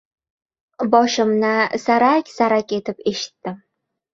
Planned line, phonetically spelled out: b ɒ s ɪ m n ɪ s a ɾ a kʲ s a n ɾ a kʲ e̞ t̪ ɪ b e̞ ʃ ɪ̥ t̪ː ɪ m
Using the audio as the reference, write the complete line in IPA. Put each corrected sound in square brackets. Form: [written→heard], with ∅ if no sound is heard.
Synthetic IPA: b ɒ [s→ʃ] ɪ m n ɪ s a ɾ a kʲ s a [n→∅] ɾ a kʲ e̞ t̪ ɪ [b→p] e̞ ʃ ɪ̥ t̪ː ɪ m